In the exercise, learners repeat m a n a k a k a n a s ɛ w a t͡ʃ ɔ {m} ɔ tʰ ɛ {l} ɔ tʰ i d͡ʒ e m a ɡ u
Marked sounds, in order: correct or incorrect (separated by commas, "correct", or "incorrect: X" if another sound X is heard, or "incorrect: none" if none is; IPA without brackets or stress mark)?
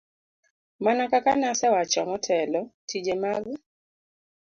correct, correct